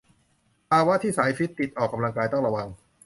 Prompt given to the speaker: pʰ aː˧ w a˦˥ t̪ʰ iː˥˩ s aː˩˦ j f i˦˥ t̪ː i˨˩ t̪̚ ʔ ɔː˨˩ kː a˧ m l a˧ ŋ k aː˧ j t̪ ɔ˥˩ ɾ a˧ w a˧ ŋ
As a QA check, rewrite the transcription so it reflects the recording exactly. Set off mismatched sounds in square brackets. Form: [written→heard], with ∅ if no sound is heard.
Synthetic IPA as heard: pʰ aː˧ w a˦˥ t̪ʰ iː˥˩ s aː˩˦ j f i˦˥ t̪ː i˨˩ t̪̚ ʔ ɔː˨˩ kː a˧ m l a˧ ŋ k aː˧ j t̪ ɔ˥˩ ɾ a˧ w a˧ ŋ